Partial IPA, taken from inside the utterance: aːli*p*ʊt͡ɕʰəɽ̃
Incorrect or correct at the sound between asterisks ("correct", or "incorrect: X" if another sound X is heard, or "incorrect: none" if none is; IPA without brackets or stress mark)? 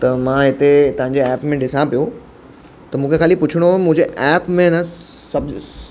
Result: correct